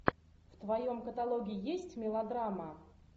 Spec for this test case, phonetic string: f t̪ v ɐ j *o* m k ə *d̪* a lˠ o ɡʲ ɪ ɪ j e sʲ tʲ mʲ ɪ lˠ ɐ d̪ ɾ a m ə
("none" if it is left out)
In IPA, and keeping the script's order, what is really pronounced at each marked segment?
o, t̪

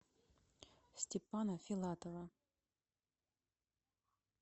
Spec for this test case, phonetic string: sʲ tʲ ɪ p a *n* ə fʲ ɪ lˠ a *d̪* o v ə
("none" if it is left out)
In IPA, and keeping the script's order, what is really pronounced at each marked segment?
n, t̪

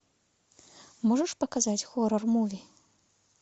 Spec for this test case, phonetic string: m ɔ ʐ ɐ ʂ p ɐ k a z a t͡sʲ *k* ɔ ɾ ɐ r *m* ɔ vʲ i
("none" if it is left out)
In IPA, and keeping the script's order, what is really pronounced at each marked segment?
x, m

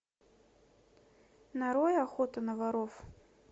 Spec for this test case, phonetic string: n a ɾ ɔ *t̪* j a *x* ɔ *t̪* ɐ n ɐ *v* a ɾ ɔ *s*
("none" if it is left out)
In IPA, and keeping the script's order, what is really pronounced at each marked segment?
none, x, t̪, v, f

